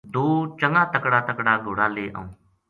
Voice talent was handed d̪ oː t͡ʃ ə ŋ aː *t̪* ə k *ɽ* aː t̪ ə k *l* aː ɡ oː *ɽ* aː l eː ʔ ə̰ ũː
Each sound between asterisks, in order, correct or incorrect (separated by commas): correct, correct, incorrect, correct